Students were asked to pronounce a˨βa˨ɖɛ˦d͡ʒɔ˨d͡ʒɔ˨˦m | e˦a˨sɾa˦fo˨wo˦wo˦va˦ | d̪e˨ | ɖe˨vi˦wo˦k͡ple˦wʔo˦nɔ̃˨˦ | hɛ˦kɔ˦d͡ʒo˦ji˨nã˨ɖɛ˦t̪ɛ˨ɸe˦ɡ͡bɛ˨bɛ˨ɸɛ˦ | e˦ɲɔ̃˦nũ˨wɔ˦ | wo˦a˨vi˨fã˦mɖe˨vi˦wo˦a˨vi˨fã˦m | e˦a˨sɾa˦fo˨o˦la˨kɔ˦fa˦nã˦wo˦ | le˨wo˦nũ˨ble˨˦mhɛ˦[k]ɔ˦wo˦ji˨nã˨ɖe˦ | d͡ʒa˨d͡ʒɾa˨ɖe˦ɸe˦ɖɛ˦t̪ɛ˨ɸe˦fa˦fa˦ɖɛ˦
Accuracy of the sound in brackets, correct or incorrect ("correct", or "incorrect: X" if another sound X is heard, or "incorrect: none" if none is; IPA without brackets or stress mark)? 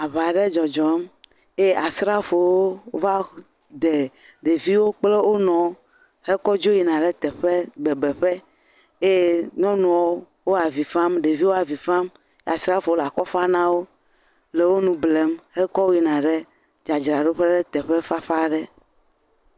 correct